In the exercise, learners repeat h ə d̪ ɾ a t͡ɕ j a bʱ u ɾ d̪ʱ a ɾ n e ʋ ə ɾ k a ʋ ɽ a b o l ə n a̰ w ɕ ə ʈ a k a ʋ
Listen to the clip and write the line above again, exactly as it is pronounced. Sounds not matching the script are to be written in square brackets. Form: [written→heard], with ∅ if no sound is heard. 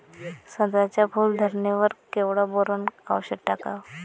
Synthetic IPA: [h→s] ə d̪ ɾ a t͡ɕ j a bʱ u [ɾ→l] d̪ʱ [a→ə] ɾ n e ʋ ə ɾ k [a→e] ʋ ɽ a b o [l→ɾ] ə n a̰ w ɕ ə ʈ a k a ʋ